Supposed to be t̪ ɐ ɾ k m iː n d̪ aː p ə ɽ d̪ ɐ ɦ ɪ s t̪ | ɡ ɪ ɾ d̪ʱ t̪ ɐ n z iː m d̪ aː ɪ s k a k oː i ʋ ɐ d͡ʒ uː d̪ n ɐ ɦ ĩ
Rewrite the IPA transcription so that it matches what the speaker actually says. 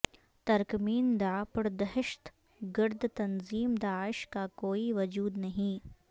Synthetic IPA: t̪ ɐ ɾ k m iː n d̪ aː p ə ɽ d̪ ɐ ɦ ɪ ʃ t̪ | ɡ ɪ ɾ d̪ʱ t̪ ɐ n z iː m d̪ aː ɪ ʃ k a k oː i ʋ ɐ d͡ʒ uː d̪ n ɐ ɦ ĩ